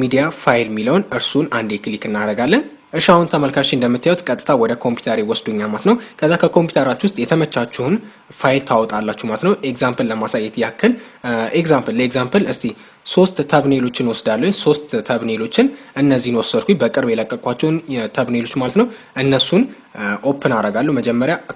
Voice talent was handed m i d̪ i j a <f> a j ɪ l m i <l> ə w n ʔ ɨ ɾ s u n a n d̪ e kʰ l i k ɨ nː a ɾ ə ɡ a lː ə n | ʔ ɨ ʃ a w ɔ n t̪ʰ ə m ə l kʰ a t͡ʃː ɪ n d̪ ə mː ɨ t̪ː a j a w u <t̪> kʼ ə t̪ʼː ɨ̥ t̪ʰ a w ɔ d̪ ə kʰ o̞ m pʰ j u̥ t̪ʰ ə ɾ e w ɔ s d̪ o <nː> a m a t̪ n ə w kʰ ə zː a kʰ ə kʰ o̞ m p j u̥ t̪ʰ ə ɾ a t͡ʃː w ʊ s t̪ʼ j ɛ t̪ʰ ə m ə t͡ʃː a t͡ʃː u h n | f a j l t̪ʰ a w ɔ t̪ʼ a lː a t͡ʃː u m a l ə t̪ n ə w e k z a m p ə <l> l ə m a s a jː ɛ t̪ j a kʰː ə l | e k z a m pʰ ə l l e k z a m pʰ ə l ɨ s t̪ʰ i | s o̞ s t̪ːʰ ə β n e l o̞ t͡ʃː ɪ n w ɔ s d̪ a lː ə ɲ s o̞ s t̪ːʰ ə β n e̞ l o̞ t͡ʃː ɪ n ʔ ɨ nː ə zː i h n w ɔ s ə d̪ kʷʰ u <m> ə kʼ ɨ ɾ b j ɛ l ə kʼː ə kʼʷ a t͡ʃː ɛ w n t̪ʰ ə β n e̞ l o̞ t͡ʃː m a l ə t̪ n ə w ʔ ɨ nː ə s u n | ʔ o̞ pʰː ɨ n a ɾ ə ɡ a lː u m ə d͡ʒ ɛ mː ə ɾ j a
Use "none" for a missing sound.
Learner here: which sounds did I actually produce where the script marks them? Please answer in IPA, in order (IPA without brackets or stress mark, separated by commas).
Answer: f, l, t̪, ɲː, l, b